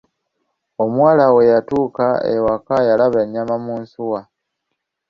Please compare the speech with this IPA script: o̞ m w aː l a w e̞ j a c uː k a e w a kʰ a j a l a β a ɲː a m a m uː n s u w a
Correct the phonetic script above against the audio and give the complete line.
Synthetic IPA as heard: o̞ m w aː l a w e̞ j a t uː k a e w a k a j a l a β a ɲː a m a m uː n s u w a